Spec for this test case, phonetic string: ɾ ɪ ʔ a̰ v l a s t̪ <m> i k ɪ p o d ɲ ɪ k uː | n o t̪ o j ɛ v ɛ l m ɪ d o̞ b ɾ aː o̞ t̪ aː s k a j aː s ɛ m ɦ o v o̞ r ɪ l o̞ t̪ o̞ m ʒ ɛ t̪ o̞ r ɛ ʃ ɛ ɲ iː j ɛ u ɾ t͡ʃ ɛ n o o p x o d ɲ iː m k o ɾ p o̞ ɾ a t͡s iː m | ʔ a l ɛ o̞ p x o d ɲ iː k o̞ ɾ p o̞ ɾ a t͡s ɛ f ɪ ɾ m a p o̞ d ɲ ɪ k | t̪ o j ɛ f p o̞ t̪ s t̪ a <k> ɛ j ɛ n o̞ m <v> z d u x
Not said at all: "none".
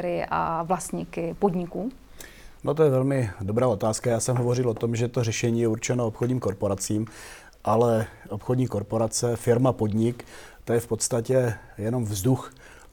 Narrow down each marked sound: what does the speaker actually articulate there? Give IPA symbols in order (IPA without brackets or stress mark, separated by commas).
ɲ, c, v